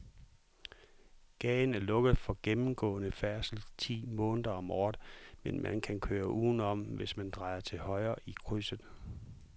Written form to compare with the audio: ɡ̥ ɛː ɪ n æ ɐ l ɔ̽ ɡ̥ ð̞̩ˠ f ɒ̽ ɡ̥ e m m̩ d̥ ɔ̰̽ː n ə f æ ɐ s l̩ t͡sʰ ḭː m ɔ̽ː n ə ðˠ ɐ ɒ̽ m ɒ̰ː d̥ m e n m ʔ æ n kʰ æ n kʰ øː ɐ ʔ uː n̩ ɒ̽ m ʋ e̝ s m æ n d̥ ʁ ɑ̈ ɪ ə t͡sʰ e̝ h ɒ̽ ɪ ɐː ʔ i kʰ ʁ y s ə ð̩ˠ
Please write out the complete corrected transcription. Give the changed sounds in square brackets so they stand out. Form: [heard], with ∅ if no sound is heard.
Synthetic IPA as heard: ɡ̥ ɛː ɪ n æ ɐ l ɔ̽ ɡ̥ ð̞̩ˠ f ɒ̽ ɡ̥ e m m̩ [ɡ̥] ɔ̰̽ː n ə f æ ɐ s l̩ t͡sʰ ḭː m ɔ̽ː n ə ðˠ ɐ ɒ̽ m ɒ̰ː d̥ m e n m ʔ æ n kʰ æ n kʰ øː ɐ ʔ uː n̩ ɒ̽ m ʋ e̝ s m æ n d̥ ʁ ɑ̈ ɪ [ɐ] t͡sʰ e̝ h ɒ̽ ɪ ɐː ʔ i kʰ ʁ y s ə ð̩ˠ